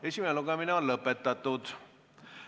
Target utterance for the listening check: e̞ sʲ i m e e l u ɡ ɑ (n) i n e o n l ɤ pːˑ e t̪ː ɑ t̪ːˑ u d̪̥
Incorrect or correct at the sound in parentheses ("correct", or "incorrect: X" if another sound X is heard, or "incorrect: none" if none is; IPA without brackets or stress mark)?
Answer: incorrect: m